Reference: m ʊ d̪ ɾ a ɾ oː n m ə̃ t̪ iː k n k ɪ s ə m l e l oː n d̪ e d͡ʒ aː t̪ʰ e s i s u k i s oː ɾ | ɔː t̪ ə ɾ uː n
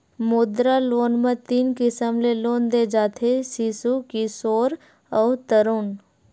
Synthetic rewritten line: m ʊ d̪ ɾ a l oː n m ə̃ t̪ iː n k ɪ s ə m l e l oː n d̪ e d͡ʒ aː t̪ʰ e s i s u k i s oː ɾ | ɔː t̪ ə ɾ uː n